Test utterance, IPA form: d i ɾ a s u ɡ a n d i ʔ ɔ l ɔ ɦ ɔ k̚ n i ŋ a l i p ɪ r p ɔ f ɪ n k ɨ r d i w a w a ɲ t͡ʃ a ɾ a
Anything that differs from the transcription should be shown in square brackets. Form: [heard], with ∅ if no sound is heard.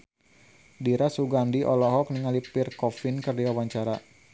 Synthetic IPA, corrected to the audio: d i ɾ a s u ɡ a n d i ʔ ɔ l ɔ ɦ ɔ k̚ n i ŋ a l i p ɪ r [k] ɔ f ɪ n k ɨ r d i w a w a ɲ t͡ʃ a ɾ a